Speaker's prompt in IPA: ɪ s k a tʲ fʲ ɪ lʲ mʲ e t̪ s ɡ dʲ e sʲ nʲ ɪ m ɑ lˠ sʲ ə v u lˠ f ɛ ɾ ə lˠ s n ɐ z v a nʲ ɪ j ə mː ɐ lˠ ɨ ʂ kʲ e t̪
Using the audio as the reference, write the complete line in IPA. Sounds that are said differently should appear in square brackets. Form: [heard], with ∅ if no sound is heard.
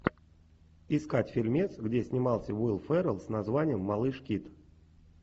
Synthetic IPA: ɪ s k a tʲ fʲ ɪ lʲ mʲ e t̪ s ɡ dʲ e sʲ nʲ ɪ m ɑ lˠ sʲ ə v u lˠ f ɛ ɾ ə lˠ s n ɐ z v a nʲ ɪ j ə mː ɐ lˠ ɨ ʂ kʲ [i] t̪

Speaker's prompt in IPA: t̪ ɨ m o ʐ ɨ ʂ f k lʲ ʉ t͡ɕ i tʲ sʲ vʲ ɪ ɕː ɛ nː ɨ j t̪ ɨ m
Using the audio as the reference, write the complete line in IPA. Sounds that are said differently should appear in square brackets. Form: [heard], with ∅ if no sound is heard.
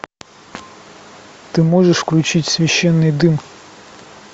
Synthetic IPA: t̪ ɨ m o ʐ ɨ ʂ f k lʲ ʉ t͡ɕ i tʲ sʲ vʲ ɪ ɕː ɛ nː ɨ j [d̪] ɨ m

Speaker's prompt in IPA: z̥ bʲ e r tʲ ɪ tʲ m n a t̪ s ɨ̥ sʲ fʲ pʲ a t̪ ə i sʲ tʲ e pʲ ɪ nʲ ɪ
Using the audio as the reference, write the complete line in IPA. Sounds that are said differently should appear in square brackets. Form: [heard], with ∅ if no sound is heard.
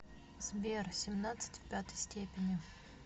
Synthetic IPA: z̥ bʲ e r [sʲ] ɪ [∅] m n a t̪ s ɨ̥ [tʲ] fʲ pʲ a t̪ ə [j] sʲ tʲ e pʲ ɪ nʲ ɪ

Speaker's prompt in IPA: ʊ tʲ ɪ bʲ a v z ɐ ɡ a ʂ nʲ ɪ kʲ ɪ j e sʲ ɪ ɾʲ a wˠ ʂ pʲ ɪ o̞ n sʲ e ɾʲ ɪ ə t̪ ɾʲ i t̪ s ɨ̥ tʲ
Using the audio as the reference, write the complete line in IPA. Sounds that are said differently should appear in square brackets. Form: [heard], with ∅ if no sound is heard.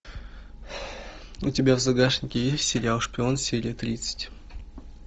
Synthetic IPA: ʊ tʲ ɪ bʲ a v z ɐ ɡ a ʂ nʲ ɪ kʲ ɪ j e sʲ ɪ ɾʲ a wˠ ʂ pʲ ɪ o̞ n sʲ e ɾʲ ɪ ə t̪ ɾʲ i t̪ s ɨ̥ tʲ

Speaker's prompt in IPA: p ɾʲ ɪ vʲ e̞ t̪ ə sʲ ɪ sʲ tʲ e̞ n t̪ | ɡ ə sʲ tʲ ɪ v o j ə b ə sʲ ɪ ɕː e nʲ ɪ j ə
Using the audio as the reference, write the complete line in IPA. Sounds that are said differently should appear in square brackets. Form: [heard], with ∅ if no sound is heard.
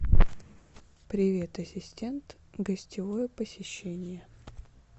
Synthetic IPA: p ɾʲ ɪ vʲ e̞ t̪ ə sʲ ɪ sʲ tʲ e̞ n t̪ | ɡ ə sʲ tʲ ɪ v o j ə [p] ə sʲ ɪ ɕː e nʲ ɪ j ə

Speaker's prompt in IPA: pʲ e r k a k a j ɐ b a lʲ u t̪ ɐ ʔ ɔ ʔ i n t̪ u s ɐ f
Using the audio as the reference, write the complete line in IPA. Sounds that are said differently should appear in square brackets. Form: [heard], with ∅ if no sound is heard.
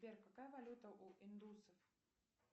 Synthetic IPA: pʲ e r k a k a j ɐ [v] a lʲ u t̪ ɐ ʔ [u] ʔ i n [d̪] u s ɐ f

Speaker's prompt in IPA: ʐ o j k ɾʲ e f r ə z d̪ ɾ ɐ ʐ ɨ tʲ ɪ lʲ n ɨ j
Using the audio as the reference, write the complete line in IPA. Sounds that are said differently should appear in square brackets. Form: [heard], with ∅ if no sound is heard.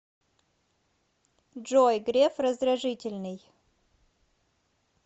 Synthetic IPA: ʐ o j [ɡ] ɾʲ e f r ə z d̪ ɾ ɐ ʐ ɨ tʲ ɪ lʲ n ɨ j

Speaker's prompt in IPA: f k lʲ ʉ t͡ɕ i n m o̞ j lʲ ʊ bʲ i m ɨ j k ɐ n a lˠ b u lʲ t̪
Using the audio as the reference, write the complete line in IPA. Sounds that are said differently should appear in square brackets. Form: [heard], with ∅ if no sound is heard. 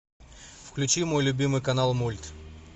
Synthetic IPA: f k lʲ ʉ t͡ɕ i [∅] m o̞ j lʲ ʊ bʲ i m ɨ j k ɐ n a lˠ [m] u lʲ t̪

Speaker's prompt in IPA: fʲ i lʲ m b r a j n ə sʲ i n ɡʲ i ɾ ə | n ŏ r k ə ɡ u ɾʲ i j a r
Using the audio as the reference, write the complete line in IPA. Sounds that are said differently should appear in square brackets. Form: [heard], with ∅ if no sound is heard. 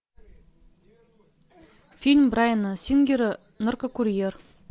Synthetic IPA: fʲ i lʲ m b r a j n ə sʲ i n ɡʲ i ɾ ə | n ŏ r k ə [k] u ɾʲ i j [e] r

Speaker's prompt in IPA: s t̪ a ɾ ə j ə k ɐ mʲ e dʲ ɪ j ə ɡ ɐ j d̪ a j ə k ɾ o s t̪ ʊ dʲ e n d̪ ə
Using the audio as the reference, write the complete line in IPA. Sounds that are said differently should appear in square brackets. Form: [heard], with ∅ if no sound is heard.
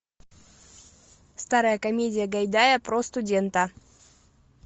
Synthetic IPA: s t̪ a ɾ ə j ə k ɐ mʲ e dʲ ɪ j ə ɡ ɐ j d̪ a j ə [p] ɾ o s t̪ ʊ dʲ e n [t̪] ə

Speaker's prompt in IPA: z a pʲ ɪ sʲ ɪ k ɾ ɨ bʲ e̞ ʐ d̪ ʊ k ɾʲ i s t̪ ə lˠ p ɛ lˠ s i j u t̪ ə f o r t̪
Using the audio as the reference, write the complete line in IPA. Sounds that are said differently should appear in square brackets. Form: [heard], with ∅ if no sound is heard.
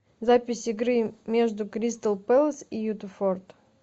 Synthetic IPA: z a pʲ ɪ sʲ ɪ [ɡ] ɾ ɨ [mʲ] e̞ ʐ d̪ ʊ k ɾʲ i s t̪ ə lˠ p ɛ lˠ s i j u t̪ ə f o r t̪

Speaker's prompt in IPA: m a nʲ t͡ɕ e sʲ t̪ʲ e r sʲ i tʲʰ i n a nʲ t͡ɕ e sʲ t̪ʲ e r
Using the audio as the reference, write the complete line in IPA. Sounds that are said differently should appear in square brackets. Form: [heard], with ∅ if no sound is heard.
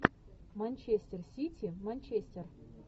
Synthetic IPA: m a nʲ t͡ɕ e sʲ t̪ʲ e r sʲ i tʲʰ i [m] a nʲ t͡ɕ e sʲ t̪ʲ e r

